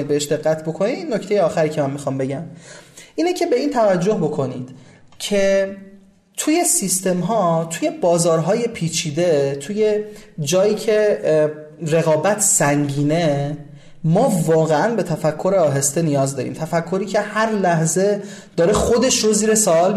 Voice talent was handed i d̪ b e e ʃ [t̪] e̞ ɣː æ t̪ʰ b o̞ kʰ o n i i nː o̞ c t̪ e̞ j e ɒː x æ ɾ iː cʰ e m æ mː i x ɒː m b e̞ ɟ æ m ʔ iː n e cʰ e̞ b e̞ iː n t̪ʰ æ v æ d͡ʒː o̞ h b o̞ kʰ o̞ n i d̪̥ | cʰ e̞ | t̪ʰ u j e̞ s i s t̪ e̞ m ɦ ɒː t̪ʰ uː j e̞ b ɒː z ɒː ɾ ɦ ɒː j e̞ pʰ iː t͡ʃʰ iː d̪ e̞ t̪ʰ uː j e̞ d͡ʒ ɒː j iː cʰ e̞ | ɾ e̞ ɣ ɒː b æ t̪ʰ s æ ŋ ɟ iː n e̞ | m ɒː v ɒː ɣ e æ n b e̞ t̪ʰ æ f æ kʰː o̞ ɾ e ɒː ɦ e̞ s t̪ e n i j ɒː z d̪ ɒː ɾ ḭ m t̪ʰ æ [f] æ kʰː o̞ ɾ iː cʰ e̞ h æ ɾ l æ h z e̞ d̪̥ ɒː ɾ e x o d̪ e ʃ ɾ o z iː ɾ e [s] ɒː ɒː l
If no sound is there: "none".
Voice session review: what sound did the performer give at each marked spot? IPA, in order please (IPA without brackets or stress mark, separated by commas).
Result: d̪, f, s